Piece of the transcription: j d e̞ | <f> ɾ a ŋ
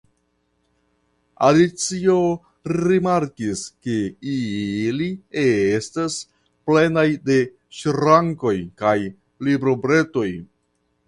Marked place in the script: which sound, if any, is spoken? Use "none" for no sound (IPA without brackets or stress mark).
ʃ